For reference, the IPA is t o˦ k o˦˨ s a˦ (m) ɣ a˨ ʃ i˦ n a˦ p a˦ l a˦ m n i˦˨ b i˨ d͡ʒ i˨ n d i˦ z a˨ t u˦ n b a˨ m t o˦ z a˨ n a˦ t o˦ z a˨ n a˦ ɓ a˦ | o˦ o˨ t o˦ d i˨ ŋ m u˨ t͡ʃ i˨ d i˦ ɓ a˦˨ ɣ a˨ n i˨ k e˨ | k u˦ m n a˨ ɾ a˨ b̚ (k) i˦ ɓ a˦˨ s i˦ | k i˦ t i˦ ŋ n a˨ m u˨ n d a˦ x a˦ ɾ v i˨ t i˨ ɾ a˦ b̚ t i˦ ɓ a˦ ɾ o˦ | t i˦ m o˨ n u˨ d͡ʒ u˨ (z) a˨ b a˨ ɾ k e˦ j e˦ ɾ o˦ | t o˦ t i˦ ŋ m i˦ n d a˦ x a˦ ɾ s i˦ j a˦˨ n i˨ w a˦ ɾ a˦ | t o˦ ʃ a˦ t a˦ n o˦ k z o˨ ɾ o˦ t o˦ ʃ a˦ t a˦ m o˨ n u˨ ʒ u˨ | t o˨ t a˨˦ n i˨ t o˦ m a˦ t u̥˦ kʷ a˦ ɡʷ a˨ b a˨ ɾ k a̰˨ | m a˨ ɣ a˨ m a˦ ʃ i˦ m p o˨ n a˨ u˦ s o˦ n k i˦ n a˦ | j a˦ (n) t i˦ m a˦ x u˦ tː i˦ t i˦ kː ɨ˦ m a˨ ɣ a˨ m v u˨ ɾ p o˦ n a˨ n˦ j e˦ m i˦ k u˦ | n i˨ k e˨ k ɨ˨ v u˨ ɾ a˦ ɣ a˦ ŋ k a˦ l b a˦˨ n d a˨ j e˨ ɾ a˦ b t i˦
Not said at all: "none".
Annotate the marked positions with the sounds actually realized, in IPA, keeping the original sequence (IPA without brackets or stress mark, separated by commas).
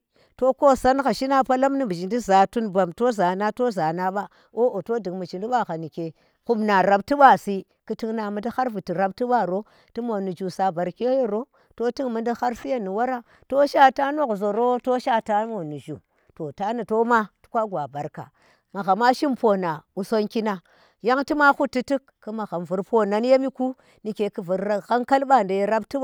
n, t, s, ŋ